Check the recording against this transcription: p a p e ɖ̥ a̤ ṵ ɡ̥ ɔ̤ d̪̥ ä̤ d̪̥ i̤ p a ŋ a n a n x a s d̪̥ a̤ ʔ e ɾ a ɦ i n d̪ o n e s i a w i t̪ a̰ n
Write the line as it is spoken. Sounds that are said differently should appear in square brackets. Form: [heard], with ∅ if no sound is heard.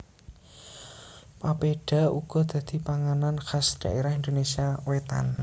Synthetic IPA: p a p e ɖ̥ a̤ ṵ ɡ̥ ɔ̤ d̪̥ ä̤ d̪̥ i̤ p a ŋ a n a n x a s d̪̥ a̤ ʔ e ɾ a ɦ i n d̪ o n e s i a w [e] t̪ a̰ n

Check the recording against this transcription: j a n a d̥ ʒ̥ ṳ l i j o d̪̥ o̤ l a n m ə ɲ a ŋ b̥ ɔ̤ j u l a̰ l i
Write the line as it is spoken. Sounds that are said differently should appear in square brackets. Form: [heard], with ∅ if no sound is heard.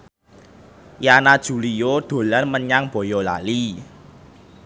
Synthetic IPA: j a n a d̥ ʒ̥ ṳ l i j o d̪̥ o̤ l a n m ə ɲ a ŋ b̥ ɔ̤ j [ɔ] l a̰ l i

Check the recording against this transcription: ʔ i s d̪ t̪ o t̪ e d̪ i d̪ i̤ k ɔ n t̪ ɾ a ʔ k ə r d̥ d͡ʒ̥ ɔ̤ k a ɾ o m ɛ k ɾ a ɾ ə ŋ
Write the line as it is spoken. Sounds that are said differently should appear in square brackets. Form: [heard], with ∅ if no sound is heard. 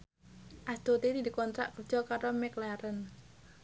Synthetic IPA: ʔ [a] s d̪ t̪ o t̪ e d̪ i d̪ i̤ k ɔ n t̪ ɾ a ʔ k ə r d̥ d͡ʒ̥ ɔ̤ k a ɾ o m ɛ k [l] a ɾ ə [n]

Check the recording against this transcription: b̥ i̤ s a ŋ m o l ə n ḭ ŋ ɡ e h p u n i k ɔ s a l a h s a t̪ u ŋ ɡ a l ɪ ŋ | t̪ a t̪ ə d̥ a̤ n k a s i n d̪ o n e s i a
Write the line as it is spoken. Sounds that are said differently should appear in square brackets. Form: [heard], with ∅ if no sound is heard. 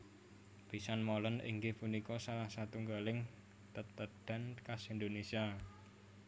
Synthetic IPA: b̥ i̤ s a [n] m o l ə n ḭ ŋ ɡ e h p u n i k ɔ s a l a h s a t̪ u ŋ ɡ a l ɪ ŋ | t̪ [ə] t̪ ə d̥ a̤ n k a s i n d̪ o n e s i a

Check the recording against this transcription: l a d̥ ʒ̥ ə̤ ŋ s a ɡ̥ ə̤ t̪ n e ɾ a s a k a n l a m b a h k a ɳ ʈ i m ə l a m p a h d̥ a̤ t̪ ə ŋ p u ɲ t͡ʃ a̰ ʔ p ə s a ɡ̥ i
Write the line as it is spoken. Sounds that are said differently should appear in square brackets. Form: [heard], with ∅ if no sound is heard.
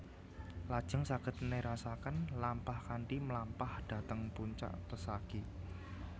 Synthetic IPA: l a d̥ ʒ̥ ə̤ ŋ s a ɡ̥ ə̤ t̪ n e ɾ a s a k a n l a m [p] a h k a ɳ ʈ i m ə l a m p a h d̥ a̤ t̪ ə ŋ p u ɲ t͡ʃ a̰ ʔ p ə s a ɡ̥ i

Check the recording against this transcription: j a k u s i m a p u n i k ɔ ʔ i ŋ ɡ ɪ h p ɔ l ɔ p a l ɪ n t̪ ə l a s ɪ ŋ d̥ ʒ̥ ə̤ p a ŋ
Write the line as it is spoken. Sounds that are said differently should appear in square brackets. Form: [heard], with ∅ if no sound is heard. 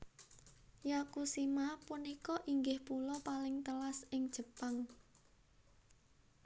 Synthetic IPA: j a k u s i m a p u n i k ɔ ʔ i ŋ ɡ ɪ h p [u] l ɔ p a l ɪ [ŋ] t̪ ə l a s ɪ ŋ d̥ ʒ̥ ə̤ p a ŋ

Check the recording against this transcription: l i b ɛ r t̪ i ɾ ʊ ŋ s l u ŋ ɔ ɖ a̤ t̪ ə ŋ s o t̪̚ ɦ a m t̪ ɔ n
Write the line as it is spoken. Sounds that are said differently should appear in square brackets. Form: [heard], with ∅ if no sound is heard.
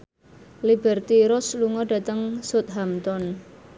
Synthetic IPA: l i b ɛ r t̪ i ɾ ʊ [∅] s l u ŋ ɔ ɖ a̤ t̪ ə ŋ s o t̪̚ ɦ a m t̪ ɔ n

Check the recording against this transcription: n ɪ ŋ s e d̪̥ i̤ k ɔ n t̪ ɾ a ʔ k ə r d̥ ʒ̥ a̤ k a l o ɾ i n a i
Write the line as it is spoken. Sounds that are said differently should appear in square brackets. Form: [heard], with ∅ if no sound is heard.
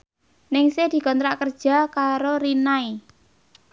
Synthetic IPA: n ɪ ŋ s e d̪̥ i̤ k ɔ n t̪ ɾ a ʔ k ə r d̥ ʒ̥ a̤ k a [ɾ] o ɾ i n a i

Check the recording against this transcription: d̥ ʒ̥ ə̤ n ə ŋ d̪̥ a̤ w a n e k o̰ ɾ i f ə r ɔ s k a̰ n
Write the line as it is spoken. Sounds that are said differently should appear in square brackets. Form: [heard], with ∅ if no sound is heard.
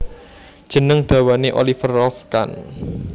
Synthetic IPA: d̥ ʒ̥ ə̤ n ə ŋ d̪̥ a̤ w a n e [ʔ] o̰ [l] i f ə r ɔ [f] k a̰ n

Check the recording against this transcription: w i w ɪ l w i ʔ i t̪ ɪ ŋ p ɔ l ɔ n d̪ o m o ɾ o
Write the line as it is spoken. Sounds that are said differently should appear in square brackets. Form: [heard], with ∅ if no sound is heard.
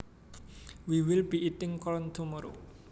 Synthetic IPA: w i w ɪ l [b] i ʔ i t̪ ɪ ŋ [k] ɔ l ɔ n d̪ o m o ɾ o

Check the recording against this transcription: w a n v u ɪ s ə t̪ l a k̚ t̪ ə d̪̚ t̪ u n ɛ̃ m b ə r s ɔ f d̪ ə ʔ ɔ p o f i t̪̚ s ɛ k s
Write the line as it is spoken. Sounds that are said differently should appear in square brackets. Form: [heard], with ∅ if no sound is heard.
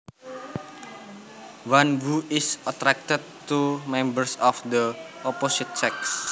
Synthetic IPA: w a n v u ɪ s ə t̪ [ɾ] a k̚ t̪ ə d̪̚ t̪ u [m] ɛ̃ m b ə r s ɔ f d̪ ə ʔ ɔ p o [s] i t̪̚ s ɛ k s

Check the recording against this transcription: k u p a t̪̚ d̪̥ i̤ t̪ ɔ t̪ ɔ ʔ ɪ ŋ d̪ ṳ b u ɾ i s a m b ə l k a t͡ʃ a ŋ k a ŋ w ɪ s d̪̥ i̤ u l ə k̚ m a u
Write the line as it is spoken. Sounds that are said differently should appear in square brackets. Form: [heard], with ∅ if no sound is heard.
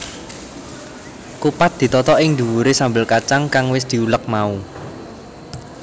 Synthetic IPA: k u p a t̪̚ d̪̥ i̤ t̪ ɔ t̪ ɔ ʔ ɪ ŋ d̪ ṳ [w] u ɾ [e] s a m b ə l k a t͡ʃ a ŋ k a ŋ w ɪ s d̪̥ i̤ u l ə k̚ m a u

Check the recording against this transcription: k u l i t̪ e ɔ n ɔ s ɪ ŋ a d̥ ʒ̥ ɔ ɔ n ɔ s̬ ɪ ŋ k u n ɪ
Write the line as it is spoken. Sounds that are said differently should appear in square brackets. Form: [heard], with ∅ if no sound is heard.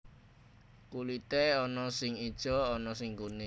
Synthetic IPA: k u l i t̪ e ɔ n ɔ s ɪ ŋ [i] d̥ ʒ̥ ɔ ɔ n ɔ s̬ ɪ ŋ k u n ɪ

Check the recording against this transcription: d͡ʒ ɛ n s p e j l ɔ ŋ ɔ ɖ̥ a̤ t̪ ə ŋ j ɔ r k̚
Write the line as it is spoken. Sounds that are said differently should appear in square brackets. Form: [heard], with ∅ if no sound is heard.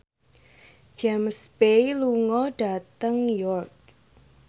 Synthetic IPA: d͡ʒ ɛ [m] s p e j l [u] ŋ ɔ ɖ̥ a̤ t̪ ə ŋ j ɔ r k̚

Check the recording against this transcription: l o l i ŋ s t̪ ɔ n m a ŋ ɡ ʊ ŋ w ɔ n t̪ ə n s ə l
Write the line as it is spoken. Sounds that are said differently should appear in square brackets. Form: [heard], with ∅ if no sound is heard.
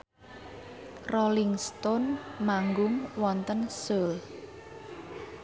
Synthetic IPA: [r] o l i ŋ s t̪ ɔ n m a ŋ ɡ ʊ ŋ w ɔ n t̪ ə n s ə l

